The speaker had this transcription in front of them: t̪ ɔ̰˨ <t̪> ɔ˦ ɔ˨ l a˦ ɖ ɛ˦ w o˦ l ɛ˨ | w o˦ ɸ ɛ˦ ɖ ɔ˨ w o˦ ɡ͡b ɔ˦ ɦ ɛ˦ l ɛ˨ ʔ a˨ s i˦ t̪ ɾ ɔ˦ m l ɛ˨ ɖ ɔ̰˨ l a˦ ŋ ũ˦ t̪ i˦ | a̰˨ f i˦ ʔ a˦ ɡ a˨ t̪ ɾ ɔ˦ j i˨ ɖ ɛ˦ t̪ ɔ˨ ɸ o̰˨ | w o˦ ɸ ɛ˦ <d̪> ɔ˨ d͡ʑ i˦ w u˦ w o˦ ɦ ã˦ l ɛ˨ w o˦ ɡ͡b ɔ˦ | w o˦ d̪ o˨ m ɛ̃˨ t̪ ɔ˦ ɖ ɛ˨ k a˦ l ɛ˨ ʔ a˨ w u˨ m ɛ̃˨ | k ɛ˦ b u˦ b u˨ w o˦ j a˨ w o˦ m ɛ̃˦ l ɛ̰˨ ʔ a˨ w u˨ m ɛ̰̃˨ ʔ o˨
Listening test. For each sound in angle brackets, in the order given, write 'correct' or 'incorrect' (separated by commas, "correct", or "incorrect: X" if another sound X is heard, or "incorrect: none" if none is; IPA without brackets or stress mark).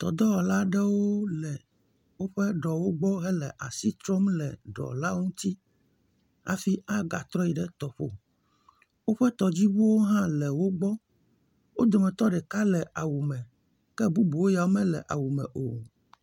incorrect: d̪, incorrect: t̪